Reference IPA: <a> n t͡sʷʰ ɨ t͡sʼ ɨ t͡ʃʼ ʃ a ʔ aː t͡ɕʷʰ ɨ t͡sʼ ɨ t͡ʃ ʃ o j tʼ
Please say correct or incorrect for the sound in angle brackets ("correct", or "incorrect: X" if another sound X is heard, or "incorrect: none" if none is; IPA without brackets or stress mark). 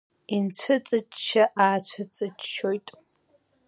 incorrect: i